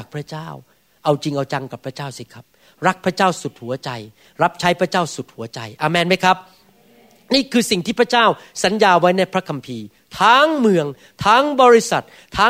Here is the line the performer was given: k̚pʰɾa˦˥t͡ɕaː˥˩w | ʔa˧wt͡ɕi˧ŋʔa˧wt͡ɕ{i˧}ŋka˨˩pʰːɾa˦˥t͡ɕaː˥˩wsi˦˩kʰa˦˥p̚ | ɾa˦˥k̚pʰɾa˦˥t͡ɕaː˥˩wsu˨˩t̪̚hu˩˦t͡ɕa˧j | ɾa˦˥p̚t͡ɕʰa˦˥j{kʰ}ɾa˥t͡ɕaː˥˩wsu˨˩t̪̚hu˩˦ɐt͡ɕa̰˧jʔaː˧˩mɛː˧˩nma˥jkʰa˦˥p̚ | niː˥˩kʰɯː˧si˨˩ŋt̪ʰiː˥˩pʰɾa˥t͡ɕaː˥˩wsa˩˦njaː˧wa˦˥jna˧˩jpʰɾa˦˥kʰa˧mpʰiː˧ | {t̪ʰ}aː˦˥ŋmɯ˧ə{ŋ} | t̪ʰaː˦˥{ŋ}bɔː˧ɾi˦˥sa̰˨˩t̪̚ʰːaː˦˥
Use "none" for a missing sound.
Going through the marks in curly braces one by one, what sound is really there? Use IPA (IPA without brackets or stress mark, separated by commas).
a˧, pʰ, t̪ʰ, ŋ, ŋ